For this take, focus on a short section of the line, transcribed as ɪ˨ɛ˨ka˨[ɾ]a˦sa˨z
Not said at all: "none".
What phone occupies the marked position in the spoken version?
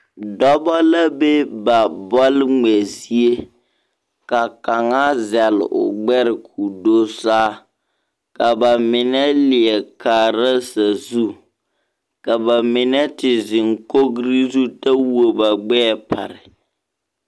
ɾ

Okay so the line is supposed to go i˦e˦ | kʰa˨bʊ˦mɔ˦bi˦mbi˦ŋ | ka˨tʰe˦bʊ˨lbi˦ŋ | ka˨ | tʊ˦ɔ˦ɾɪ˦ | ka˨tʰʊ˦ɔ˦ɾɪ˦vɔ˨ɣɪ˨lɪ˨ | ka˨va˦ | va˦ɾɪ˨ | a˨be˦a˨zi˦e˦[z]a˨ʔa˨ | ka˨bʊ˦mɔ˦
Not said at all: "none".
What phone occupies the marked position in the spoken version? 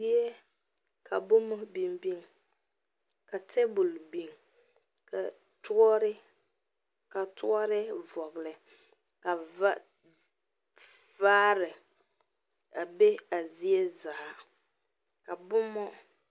z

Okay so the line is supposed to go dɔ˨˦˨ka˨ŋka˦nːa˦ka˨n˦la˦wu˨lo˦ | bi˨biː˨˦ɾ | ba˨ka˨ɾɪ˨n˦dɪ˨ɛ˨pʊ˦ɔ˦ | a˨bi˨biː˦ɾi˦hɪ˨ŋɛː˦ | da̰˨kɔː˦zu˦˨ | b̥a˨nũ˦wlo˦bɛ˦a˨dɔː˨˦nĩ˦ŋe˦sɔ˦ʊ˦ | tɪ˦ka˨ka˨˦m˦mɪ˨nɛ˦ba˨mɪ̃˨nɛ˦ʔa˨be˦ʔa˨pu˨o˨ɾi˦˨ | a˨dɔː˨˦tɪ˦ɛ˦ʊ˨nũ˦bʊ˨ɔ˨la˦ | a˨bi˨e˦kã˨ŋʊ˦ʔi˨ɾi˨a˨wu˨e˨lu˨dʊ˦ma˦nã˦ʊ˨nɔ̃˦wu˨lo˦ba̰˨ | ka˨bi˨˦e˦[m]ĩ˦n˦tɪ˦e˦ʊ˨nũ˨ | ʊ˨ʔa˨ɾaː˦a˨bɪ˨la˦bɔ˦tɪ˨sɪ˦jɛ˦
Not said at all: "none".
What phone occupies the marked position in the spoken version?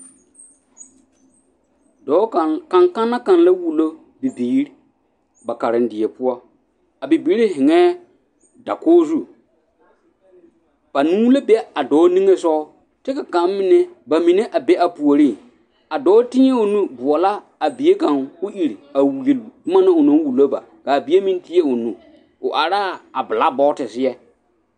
m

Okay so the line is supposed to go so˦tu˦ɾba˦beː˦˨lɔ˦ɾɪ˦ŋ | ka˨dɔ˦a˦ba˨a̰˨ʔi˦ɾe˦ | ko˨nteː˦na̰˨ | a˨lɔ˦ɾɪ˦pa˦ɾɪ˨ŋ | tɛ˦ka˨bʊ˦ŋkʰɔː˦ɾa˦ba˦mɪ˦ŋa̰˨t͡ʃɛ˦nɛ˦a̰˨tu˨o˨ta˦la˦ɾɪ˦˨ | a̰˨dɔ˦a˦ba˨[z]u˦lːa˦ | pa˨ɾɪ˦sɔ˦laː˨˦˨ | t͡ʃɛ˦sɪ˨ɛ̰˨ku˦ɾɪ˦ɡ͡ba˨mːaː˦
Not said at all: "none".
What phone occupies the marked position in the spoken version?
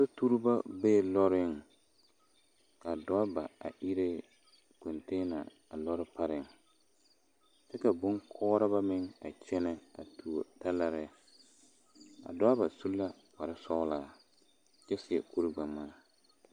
s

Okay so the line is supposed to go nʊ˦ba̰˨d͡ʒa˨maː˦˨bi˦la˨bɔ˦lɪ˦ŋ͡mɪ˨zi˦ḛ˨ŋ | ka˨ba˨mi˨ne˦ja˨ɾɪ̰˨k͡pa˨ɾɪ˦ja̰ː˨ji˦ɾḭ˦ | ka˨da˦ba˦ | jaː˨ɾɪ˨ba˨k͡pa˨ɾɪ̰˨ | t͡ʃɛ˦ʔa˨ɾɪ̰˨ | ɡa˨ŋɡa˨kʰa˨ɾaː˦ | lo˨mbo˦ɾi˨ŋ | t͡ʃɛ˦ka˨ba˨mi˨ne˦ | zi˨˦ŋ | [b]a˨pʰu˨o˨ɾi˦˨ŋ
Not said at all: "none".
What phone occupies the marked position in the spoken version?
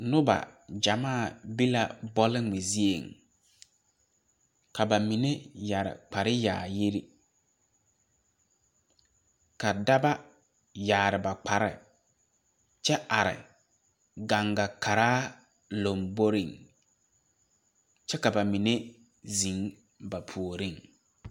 b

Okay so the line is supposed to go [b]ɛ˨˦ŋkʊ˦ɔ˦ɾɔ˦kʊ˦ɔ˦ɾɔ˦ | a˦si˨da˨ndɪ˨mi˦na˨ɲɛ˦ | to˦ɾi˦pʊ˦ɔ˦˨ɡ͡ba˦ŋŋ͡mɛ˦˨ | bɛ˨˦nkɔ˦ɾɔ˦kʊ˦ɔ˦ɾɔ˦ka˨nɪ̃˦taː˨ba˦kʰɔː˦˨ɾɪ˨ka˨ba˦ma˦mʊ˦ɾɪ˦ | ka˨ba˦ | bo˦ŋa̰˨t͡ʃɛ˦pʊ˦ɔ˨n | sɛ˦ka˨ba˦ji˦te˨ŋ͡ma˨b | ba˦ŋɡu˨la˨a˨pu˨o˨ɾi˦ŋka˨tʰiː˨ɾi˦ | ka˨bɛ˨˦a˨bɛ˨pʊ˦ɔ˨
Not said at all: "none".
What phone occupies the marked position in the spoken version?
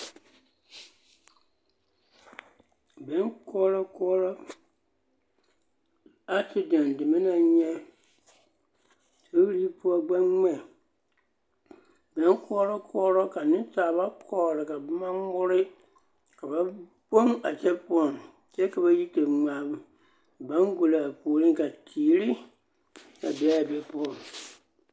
b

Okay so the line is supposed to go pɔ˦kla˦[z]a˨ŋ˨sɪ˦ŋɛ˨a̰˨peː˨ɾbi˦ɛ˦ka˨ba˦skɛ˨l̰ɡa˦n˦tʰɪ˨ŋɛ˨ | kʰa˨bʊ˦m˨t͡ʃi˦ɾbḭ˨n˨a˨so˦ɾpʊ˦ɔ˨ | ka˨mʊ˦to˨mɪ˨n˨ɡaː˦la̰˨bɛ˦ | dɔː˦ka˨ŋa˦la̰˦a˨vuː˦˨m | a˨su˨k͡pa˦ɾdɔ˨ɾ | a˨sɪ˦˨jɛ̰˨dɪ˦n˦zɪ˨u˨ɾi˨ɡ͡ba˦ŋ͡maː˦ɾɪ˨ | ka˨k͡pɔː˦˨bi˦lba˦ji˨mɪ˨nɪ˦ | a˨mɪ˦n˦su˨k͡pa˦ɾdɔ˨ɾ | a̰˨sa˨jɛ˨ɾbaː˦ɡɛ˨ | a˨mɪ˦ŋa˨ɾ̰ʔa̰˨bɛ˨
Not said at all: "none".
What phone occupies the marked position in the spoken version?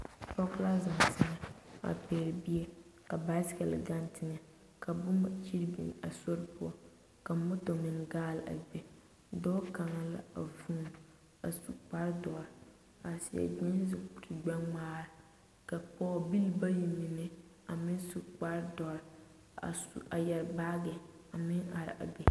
z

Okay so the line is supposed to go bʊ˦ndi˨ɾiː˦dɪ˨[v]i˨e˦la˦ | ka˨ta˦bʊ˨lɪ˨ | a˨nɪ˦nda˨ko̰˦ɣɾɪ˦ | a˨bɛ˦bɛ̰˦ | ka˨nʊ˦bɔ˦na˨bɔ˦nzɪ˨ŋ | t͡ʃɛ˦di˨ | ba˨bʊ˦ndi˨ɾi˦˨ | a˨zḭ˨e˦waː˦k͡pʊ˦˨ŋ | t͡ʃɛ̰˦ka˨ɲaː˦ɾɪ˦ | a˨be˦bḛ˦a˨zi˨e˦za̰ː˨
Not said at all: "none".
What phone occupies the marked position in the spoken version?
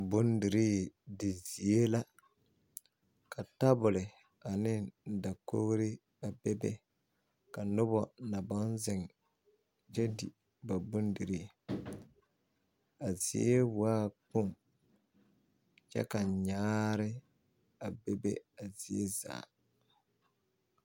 z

